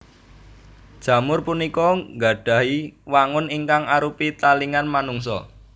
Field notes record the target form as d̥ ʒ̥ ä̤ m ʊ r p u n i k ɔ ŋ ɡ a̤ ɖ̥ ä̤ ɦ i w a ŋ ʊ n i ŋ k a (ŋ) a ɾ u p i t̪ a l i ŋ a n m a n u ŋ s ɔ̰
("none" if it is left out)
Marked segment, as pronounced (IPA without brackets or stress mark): ŋ